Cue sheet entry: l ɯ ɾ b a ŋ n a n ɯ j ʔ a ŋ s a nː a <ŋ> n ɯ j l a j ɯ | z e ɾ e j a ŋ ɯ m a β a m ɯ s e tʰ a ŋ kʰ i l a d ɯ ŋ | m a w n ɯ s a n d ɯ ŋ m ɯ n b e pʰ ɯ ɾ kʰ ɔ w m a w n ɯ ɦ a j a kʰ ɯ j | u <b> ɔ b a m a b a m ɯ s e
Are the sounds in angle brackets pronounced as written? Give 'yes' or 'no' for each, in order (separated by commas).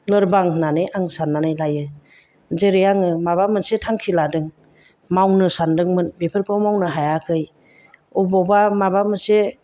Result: no, yes